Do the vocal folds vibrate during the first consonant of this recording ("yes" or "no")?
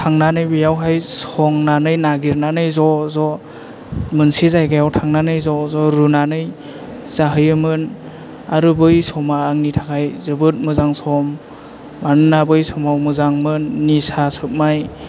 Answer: no